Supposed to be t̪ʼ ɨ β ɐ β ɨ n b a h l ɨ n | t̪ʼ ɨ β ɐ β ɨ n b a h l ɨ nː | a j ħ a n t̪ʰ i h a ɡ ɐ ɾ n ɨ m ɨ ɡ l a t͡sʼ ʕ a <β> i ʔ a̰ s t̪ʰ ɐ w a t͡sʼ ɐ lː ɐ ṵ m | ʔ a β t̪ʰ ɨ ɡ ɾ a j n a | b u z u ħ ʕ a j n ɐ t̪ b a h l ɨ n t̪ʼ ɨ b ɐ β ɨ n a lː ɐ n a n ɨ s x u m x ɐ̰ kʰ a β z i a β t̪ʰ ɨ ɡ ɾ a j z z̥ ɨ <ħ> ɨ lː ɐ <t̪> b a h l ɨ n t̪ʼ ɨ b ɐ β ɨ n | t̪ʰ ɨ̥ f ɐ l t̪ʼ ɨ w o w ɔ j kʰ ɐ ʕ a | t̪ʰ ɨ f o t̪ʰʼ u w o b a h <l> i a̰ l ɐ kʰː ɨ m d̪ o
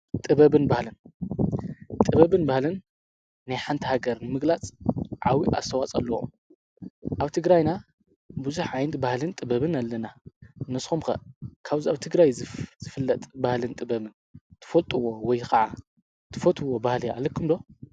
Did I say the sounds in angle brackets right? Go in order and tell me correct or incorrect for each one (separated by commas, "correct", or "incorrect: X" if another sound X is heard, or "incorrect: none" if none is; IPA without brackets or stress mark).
incorrect: w, incorrect: f, incorrect: t̪ʼ, correct